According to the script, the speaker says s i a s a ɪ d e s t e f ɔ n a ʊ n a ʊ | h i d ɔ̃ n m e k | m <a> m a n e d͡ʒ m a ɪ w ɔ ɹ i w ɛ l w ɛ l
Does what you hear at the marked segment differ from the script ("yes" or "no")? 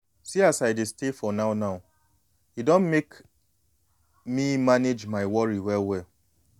yes